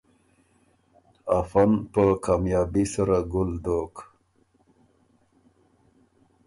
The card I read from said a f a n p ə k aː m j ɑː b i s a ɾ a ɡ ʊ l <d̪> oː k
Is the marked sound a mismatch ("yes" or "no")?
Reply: no